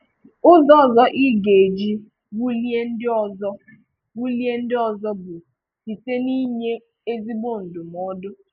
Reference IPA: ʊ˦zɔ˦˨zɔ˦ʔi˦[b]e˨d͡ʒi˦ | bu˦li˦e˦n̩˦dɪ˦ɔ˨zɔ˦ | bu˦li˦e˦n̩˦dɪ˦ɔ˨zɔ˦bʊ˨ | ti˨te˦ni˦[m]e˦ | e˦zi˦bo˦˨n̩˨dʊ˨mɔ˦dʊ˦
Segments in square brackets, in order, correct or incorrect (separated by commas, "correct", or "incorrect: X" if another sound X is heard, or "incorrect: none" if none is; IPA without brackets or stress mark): incorrect: ɡ, incorrect: ɲ